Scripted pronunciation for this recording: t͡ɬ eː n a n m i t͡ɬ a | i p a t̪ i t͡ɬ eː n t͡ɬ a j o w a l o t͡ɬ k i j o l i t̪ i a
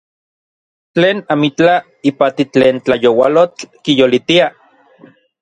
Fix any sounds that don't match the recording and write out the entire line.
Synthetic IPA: t͡ɬ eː n a m i t͡ɬ a | i p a t̪ i t͡ɬ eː n t͡ɬ a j o w a l o t͡ɬ k i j o l i t̪ i a